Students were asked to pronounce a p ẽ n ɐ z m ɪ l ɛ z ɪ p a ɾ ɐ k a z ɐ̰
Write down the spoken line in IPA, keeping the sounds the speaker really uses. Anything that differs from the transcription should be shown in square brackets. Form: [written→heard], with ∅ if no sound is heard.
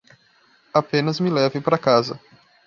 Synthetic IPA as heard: a p ẽ n ɐ z m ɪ l ɛ [z→v] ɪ p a ɾ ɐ k a z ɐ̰